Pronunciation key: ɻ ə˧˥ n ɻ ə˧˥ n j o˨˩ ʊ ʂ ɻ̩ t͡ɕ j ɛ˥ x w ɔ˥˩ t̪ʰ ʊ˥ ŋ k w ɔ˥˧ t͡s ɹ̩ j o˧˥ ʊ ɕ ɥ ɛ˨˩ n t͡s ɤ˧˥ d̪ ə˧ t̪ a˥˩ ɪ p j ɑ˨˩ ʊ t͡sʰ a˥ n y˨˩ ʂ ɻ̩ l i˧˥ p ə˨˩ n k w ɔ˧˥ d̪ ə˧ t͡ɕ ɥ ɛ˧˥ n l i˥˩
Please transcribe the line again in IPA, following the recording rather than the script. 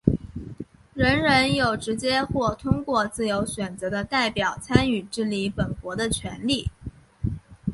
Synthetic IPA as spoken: ɻ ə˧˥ n ɻ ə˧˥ n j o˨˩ ʊ ʈ͡ʂ ɻ̩ t͡ɕ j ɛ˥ x w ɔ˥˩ t̪ʰ ʊ˥ ŋ k w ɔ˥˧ t͡s ɹ̩ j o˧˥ ʊ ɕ ɥ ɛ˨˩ n t͡s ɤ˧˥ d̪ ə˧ t̪ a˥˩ ɪ p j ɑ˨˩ ʊ t͡sʰ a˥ n y˨˩ ʈ͡ʂ ɻ̩ l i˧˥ p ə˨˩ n k w ɔ˧˥ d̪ ə˧ t͡ɕʰ ɥ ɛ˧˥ n l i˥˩

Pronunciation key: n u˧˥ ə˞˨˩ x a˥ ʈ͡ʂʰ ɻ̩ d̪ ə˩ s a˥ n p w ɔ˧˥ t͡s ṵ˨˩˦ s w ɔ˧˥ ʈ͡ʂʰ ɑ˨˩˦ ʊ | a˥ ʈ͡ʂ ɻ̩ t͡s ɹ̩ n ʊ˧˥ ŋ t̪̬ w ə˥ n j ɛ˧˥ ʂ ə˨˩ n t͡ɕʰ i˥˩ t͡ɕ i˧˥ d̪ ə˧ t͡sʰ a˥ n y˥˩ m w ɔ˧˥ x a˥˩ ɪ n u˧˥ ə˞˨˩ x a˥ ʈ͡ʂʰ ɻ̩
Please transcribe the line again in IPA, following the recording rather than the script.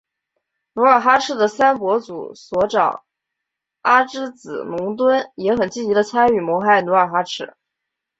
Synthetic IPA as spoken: n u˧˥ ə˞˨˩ x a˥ ʈ͡ʂʰ ɻ̩ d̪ ə˩ s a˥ n p w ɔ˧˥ t͡s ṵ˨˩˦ s w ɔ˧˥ ʈ͡ʂ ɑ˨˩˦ ʊ | a˥ ʈ͡ʂ ɻ̩ t͡s ɹ̩ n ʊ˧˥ ŋ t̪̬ w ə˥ n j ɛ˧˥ x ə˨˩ n t͡ɕ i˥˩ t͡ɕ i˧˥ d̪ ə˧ t͡sʰ a˥ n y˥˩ m w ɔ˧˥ x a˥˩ ɪ n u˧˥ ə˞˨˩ x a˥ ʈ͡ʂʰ ɻ̩

